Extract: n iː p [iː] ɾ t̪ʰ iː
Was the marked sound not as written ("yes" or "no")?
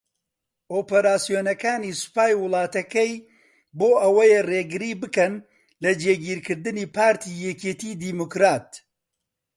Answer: yes